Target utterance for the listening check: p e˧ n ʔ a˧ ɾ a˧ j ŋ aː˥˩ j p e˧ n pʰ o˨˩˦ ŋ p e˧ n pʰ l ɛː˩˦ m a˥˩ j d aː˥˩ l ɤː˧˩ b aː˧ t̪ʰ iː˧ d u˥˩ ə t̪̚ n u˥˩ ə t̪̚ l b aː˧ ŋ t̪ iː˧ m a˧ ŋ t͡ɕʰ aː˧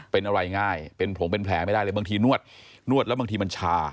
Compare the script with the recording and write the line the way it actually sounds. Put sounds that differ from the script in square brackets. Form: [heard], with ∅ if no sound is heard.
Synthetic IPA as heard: p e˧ n ʔ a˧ ɾ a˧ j ŋ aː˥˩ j p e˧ n pʰ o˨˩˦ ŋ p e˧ n pʰ l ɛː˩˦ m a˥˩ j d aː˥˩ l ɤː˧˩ b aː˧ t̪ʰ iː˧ [n] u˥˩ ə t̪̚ n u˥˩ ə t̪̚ l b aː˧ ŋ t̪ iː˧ m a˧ [n] t͡ɕʰ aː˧